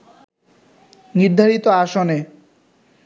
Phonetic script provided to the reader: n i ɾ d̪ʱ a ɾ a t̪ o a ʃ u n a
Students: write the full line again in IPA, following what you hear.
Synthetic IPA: n i ɾ d̪ʱ a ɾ i t̪ o a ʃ o n e